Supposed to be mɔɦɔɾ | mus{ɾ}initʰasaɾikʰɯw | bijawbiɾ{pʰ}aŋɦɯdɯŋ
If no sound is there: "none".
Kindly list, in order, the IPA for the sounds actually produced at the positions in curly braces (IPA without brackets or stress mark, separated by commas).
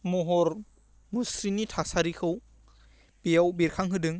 ɾ, kʰ